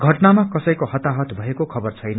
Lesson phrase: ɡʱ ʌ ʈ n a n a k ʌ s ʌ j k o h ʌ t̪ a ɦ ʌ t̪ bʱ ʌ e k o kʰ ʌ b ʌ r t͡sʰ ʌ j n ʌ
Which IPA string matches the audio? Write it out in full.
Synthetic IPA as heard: ɡʱ ʌ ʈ n a m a k ʌ s ʌ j k o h ʌ t̪ a ɦ ʌ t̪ bʱ ʌ e k o kʰ ʌ b ʌ r t͡sʰ ʌ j n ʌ